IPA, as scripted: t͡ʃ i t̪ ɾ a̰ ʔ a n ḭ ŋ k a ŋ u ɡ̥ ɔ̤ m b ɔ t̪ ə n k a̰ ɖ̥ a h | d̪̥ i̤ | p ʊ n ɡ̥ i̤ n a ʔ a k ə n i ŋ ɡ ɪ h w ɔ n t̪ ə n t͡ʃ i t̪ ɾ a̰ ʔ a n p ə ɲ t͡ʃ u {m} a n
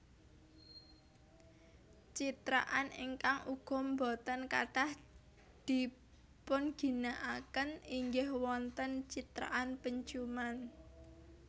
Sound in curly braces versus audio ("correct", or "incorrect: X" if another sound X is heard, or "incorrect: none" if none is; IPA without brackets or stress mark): correct